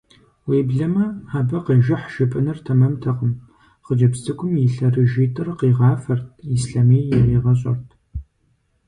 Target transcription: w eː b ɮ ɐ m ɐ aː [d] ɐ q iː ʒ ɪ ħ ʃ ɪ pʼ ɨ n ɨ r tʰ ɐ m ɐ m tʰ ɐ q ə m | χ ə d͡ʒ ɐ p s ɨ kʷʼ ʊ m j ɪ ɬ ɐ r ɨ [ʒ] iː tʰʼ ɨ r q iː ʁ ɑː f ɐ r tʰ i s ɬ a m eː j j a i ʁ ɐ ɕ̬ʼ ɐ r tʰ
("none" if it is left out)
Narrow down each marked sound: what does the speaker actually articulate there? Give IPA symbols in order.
b, ʒ

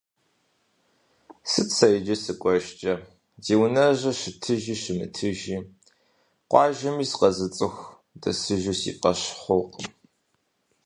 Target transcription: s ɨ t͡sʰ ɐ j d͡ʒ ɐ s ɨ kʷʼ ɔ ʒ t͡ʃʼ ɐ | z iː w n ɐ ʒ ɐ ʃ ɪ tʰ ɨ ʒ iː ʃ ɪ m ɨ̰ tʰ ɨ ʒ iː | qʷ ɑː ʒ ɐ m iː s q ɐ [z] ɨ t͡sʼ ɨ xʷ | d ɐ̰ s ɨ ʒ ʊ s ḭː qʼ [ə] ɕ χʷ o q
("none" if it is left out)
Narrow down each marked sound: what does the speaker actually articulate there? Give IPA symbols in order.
z, ɐ

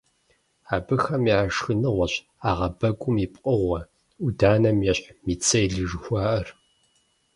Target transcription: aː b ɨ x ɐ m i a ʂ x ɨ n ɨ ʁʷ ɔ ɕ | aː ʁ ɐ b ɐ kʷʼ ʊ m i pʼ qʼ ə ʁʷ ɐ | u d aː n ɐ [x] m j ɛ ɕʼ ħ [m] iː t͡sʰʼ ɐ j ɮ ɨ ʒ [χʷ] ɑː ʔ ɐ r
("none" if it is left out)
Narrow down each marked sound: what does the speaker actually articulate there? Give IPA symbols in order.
none, m, xʷ

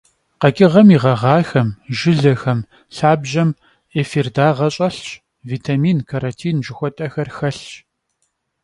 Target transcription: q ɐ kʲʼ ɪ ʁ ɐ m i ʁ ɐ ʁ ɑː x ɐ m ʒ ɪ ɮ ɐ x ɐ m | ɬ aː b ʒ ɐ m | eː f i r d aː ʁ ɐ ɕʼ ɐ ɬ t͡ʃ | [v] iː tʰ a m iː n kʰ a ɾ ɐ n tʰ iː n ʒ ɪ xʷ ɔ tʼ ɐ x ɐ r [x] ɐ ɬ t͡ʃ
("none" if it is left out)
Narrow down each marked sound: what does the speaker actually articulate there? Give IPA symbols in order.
v, x

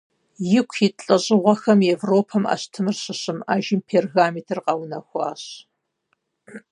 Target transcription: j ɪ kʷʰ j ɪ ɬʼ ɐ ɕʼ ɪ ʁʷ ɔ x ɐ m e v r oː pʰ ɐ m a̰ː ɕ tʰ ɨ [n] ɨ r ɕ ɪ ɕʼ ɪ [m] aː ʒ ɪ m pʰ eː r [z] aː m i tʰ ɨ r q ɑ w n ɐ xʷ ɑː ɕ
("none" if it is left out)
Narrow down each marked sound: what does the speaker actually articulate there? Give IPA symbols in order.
m, m, ɣ

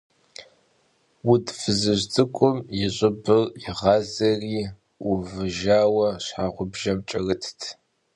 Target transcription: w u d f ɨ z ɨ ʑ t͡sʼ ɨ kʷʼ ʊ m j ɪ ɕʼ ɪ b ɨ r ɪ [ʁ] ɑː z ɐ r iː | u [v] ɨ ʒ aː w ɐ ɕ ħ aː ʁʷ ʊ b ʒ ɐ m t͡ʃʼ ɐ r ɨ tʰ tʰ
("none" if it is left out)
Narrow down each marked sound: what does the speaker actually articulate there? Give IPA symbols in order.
ʁ, v

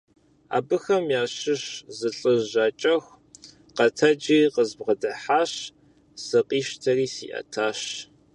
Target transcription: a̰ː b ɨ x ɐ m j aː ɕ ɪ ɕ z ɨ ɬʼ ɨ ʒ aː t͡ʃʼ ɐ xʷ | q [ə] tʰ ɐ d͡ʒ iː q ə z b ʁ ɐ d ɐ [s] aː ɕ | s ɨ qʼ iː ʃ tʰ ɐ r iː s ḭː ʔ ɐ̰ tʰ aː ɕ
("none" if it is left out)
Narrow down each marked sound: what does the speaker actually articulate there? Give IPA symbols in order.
ɐ, ħ

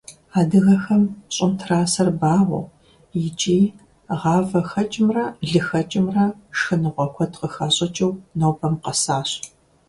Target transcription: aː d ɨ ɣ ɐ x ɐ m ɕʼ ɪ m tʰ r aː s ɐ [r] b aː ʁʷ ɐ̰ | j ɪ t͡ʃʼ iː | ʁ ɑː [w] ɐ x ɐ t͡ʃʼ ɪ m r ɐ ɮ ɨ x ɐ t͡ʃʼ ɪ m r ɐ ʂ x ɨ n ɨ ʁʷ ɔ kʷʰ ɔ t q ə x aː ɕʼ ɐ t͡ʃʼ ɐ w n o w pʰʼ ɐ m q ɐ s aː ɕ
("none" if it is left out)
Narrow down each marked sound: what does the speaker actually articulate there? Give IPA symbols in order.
r, v

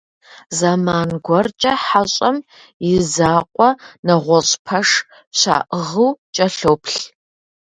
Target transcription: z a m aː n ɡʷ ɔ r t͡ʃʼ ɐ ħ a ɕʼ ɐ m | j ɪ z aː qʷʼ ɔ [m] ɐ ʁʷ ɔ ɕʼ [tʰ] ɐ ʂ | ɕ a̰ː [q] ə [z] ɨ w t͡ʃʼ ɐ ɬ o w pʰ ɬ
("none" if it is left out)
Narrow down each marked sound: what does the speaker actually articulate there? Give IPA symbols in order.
n, pʰ, ʔ, ʁ

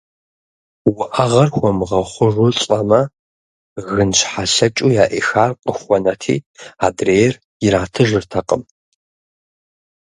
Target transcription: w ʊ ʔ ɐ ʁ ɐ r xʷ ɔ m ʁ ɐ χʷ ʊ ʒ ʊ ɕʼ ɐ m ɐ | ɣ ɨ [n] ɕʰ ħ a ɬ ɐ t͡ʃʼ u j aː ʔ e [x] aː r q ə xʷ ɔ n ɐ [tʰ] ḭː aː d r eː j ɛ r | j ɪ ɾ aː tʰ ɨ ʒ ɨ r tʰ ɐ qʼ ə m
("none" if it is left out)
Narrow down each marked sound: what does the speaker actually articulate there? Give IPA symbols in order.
n, x, tʰ

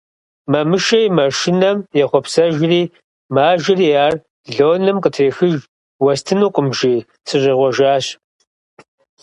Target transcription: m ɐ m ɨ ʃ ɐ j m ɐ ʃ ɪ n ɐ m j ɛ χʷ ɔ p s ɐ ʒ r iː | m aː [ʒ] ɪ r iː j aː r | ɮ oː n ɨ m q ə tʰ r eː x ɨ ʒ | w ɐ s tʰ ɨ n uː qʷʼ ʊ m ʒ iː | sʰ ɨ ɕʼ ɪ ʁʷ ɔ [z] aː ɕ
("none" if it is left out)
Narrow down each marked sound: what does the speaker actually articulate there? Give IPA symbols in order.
ʒ, ʒ

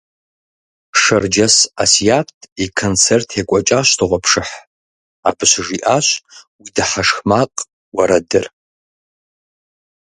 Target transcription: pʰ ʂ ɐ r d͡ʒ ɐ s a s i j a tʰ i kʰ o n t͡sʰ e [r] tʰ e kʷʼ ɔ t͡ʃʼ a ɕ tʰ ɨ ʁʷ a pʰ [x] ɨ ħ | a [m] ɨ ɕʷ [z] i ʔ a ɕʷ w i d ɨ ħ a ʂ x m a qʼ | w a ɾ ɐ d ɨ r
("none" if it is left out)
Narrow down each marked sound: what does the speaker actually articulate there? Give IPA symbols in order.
r, ʂ, b, ʐ

